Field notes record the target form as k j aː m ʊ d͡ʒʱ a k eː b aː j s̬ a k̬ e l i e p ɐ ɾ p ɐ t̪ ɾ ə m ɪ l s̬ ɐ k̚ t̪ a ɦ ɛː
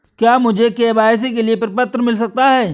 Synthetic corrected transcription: k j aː m ʊ d͡ʒʱ e k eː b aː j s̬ e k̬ e l i e p ɐ ɾ p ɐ t̪ ɾ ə m ɪ l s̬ ɐ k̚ t̪ a ɦ ɛː